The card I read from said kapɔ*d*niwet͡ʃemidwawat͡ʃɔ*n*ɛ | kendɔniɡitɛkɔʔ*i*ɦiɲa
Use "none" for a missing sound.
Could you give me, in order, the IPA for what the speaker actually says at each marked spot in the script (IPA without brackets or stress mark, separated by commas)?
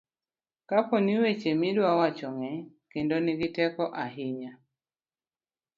none, ŋ, a